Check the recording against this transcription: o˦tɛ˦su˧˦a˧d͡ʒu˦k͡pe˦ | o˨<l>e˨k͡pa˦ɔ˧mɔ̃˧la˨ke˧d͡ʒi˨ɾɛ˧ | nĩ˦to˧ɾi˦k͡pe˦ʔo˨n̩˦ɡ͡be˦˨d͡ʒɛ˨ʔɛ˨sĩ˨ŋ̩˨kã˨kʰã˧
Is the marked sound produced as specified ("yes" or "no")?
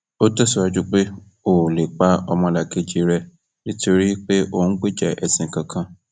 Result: yes